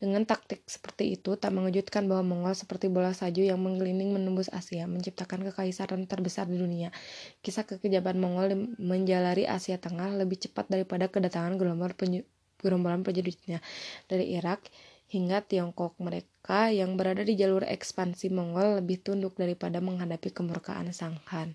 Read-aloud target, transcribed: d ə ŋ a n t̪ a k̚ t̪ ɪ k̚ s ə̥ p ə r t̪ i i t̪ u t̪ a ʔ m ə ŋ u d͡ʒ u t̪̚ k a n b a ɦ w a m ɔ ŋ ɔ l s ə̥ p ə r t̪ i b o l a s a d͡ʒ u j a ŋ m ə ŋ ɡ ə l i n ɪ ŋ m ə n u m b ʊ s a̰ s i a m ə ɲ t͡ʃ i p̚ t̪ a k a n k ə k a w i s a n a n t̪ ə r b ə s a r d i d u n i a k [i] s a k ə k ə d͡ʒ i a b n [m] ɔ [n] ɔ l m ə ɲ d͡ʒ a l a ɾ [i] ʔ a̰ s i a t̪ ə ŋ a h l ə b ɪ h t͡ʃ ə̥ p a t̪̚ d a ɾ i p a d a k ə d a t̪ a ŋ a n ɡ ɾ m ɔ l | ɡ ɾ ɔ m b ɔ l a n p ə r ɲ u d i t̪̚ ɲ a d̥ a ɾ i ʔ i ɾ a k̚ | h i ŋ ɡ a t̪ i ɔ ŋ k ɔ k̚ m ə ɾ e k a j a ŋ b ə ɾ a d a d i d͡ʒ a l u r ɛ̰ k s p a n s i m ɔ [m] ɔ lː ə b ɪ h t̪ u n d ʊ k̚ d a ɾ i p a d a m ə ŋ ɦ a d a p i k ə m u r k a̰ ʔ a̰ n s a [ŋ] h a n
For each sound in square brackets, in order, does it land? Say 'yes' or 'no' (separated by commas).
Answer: yes, yes, no, yes, no, yes